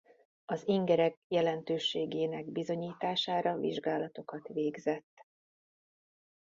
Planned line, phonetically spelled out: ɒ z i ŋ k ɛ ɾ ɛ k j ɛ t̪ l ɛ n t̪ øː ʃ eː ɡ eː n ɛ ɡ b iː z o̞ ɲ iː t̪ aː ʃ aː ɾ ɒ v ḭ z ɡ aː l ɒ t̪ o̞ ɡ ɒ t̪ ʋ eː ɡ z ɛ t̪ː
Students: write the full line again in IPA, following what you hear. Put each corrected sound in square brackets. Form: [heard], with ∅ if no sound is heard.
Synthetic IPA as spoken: ɒ z i ŋ [ɡ] ɛ ɾ ɛ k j ɛ [∅] l ɛ n t̪ øː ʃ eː ɡ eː n ɛ ɡ b [i] z o̞ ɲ iː t̪ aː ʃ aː ɾ ɒ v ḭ [ʒ] ɡ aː l ɒ t̪ o̞ [k] ɒ t̪ ʋ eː ɡ z ɛ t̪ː